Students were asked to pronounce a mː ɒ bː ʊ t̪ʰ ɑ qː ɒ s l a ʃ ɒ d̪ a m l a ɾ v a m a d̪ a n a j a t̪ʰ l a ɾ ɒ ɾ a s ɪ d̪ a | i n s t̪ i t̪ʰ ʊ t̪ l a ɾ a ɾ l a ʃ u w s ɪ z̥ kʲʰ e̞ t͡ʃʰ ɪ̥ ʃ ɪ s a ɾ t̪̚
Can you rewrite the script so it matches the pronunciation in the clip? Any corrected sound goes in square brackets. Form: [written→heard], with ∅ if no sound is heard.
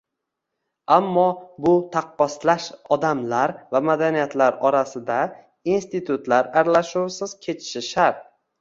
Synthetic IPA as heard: a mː ɒ [bː→b] ʊ t̪ʰ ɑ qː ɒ s l a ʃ ɒ d̪ a m l a ɾ v a m a d̪ a n [a→i] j a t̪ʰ l a ɾ ɒ ɾ a s ɪ d̪ a | i n s t̪ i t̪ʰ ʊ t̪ l a ɾ a ɾ l a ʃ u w s ɪ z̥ kʲʰ e̞ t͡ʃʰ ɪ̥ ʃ ɪ [s→ʃ] a ɾ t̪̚